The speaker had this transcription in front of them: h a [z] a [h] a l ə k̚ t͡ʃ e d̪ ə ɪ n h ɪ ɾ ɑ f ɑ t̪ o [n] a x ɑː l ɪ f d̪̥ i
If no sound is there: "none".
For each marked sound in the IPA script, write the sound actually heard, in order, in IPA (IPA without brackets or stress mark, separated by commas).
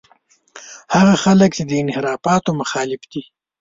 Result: ɣ, x, m